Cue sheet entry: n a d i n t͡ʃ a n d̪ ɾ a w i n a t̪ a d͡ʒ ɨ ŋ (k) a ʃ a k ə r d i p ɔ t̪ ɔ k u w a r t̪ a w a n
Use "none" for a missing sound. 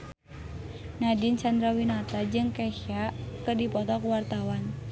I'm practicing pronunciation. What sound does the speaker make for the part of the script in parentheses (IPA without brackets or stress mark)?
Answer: k